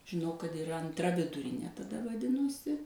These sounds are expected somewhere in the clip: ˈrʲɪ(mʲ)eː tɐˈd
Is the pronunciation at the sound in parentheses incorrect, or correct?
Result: incorrect